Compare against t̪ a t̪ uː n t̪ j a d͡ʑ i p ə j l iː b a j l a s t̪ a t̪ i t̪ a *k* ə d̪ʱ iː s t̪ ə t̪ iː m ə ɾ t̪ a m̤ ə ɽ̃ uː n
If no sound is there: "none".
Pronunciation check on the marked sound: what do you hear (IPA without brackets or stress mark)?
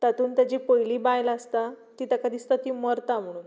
k